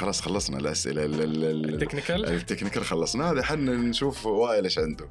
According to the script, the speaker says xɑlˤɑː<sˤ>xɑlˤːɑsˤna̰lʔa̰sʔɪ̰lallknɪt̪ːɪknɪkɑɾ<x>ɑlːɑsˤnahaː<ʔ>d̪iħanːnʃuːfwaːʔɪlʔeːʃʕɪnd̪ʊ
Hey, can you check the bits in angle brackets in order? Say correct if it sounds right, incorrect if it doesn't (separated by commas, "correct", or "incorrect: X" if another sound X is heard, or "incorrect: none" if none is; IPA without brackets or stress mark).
correct, correct, incorrect: none